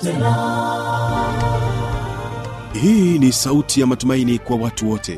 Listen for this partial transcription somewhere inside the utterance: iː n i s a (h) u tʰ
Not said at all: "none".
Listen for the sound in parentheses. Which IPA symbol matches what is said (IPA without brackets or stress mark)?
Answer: none